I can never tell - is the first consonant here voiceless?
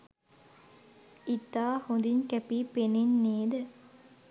yes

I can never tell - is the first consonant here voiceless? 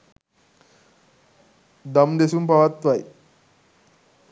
no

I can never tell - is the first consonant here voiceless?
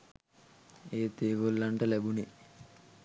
yes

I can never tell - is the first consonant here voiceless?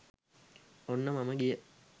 no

